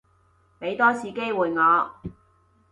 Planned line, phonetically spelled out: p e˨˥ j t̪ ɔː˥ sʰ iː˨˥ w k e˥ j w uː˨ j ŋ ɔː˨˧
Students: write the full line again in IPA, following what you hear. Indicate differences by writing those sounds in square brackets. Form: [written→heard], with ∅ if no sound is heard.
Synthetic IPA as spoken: p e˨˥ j t̪ ɔː˥ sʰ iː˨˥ [w→∅] k e˥ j w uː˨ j ŋ ɔː˨˧